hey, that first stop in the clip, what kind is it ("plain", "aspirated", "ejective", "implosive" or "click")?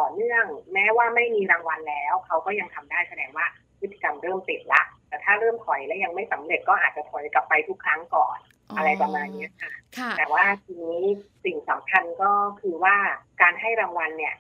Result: plain